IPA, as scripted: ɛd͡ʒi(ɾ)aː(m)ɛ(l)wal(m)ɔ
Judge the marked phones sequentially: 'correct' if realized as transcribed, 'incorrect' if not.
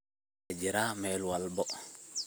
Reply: correct, correct, correct, incorrect

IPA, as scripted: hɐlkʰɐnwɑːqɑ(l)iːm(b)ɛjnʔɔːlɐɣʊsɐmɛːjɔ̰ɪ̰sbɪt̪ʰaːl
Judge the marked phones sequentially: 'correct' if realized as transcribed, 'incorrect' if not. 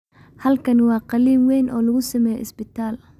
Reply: correct, incorrect

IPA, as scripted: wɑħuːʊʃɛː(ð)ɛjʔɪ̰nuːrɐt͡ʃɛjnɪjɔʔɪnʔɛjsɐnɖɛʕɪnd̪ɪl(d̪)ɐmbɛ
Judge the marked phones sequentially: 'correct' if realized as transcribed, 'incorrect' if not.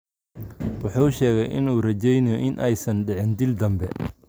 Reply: incorrect, correct

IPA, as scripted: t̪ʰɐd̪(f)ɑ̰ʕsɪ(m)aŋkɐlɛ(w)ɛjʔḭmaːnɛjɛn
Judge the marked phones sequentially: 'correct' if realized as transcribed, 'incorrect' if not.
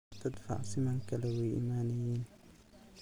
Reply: correct, correct, correct

